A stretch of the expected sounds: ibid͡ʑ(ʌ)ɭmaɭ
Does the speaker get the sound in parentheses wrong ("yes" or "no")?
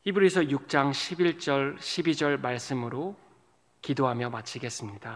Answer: no